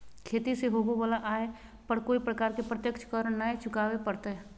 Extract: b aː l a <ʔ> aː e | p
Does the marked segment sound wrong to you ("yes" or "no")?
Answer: no